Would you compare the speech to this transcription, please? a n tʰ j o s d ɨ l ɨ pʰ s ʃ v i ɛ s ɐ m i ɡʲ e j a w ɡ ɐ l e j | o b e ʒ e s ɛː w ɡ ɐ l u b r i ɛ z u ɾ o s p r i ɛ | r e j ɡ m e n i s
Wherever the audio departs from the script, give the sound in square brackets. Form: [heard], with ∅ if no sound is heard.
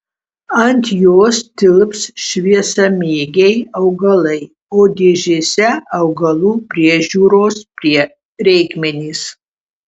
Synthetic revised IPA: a n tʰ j o s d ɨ l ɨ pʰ s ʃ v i ɛ s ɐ m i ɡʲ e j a w ɡ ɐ l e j | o [d] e ʒ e s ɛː w ɡ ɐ l u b r i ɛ [ʒ] u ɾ o s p r i ɛ | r e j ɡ m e n i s